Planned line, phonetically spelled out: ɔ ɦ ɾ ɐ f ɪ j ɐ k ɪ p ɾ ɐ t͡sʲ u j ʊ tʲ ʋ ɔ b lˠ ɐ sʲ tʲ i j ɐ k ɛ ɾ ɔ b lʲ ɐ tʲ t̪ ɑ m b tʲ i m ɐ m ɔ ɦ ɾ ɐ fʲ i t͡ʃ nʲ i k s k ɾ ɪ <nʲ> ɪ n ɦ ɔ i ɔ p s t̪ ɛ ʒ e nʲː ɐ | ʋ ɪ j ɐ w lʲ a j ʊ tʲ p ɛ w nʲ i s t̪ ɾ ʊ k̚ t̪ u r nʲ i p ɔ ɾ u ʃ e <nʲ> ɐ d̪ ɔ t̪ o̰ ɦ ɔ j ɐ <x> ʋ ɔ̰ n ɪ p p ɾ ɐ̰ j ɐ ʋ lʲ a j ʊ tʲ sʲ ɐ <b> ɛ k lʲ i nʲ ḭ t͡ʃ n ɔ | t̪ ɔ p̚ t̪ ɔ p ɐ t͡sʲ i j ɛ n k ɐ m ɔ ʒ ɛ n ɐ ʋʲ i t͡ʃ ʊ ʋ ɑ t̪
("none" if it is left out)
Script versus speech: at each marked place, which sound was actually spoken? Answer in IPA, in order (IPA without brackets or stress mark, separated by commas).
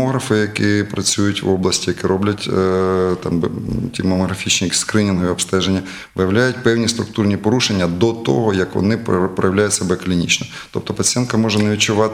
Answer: nʲ, nʲː, k, b